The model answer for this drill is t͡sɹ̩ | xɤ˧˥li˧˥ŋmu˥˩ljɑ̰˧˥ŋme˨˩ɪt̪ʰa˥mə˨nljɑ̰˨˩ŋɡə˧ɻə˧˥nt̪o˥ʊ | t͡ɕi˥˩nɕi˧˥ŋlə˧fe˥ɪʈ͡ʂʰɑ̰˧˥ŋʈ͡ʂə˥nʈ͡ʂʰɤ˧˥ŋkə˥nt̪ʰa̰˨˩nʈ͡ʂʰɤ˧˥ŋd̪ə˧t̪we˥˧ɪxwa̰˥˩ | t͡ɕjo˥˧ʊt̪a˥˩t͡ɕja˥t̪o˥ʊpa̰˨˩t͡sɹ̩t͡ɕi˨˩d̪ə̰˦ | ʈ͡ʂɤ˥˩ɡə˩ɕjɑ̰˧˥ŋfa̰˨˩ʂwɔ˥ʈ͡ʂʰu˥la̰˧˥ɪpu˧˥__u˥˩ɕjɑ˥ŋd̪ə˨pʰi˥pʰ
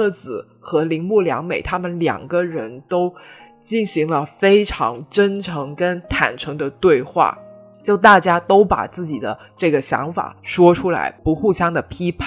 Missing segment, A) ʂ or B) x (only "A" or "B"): B